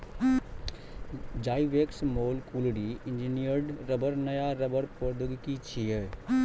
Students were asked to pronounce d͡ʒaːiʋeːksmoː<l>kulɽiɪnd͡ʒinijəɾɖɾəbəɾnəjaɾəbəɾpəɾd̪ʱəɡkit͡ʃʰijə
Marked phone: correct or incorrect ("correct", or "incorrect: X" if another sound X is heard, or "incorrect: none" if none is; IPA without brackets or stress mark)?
correct